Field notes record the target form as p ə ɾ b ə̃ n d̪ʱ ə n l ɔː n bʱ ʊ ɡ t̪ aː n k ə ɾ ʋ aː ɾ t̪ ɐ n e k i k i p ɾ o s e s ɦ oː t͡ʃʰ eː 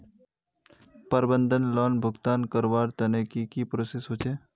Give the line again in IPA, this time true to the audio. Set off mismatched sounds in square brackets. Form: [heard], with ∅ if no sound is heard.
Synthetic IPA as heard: p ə ɾ b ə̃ n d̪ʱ ə n l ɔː n bʱ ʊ ɡ t̪ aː n k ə ɾ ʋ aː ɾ t̪ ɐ n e k i k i p ɾ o s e s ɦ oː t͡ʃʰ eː